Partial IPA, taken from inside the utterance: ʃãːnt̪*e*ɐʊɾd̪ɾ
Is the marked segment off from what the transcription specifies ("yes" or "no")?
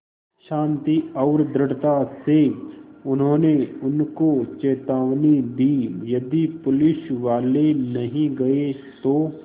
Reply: yes